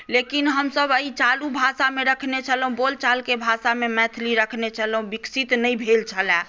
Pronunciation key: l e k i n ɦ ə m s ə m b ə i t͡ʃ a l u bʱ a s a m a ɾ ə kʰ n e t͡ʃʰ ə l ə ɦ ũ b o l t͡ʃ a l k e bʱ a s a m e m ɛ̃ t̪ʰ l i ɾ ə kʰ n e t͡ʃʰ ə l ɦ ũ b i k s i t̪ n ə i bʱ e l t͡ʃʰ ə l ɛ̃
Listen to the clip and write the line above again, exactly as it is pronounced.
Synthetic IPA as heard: l e k i n ɦ ə m s ə b ə i t͡ʃ a l u bʱ a s a m e ɾ ə kʰ n e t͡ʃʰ ə l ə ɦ ũ b o l t͡ʃ a l k e bʱ a s a m e m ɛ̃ t̪ʰ l i ɾ ə kʰ n e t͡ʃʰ ə l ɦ ũ b i k s i t̪ n ə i bʱ e l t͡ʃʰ ə l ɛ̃